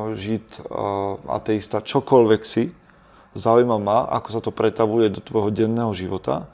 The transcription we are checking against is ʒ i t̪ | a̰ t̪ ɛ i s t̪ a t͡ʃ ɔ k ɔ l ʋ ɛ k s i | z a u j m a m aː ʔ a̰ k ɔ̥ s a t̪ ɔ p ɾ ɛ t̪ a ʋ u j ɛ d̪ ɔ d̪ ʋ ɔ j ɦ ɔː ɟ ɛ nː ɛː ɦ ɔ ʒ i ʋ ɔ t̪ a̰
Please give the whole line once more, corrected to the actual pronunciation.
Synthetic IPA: ʒ i t̪ | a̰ t̪ ɛ i s t̪ a t͡ʃ ɔ k ɔ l ʋ ɛ k s i | z a u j m a m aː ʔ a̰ k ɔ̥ s a t̪ ɔ p ɾ ɛ t̪ a ʋ u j ɛ d̪ ɔ t̪ ʋ ɔ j ɦ ɔ ɟ ɛ nː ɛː ɦ ɔ ʒ i ʋ ɔ t̪ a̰